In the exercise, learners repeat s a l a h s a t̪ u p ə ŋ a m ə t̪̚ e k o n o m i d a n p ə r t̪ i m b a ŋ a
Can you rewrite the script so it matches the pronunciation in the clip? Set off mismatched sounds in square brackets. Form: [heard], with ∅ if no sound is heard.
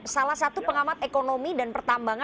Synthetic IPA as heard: s a l a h s a t̪ u p ə ŋ a m [a] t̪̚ e k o n o m i d a n p ə r t̪ [a] m b a ŋ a